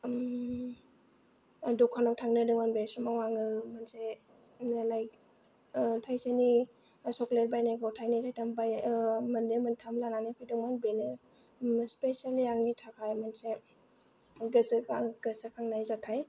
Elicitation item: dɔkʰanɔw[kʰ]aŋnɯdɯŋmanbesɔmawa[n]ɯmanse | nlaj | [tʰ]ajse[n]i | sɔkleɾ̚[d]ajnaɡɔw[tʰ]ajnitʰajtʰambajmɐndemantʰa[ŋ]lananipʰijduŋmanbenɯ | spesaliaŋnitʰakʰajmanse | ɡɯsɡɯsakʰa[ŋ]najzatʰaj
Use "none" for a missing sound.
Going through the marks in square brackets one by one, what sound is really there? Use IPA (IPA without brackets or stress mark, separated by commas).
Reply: tʰ, ŋ, tʰ, n, b, tʰ, m, ŋ